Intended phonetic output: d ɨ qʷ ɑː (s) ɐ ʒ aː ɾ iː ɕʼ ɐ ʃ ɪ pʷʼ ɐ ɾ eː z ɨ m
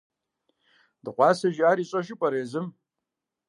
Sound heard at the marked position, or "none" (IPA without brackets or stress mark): s